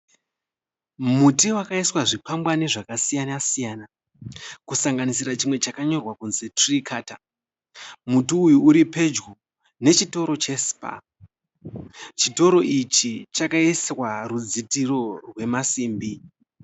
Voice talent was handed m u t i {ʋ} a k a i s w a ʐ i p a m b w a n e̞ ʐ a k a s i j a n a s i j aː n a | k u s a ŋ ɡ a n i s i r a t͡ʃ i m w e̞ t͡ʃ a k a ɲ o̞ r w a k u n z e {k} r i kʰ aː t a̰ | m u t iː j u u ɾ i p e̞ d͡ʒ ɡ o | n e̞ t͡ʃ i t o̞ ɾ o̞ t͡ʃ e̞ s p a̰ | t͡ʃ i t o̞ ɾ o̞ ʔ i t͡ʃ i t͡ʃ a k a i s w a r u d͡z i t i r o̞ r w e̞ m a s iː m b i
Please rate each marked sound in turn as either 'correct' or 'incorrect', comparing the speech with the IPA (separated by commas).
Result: incorrect, incorrect